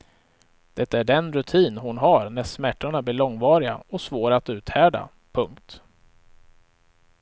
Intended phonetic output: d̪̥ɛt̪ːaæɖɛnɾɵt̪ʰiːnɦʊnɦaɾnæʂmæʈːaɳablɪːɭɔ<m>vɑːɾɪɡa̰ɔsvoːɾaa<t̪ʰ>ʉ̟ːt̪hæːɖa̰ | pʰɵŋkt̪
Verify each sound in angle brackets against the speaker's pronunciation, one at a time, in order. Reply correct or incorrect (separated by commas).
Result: incorrect, incorrect